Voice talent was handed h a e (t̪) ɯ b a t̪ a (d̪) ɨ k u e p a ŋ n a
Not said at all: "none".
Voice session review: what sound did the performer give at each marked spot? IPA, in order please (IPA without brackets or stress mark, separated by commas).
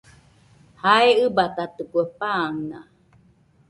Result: none, t̪